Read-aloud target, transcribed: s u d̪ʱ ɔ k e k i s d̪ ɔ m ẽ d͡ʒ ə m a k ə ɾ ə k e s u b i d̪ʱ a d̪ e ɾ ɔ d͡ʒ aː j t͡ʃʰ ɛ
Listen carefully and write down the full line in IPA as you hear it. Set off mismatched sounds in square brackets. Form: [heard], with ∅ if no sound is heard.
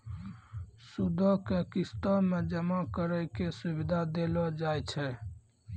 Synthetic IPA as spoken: s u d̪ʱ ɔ k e k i s [t̪] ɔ m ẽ d͡ʒ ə m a k ə ɾ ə k e s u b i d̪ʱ a d̪ e [l] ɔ d͡ʒ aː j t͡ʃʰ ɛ